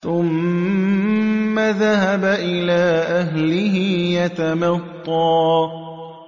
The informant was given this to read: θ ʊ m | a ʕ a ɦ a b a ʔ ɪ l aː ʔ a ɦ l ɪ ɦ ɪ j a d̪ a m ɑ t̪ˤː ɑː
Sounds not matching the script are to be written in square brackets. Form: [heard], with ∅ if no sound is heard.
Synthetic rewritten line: θ ʊ m | a [ð] a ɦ a b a ʔ ɪ l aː ʔ a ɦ l ɪ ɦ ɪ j a [t̪] a m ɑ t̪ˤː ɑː